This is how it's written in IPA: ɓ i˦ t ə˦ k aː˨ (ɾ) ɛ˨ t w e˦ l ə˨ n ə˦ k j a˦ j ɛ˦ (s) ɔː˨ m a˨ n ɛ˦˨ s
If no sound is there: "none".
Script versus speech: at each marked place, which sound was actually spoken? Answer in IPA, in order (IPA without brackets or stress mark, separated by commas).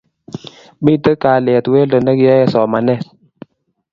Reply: l, s